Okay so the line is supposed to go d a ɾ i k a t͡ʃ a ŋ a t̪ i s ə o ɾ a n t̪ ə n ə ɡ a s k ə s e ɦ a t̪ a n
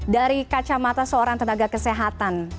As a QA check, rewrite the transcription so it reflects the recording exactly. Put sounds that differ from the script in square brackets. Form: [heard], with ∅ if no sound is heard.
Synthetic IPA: d a ɾ i k a t͡ʃ a [m] a t̪ [a] s ə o ɾ a [ŋ] t̪ ə n [a] ɡ a [∅] k ə s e ɦ a t̪ a n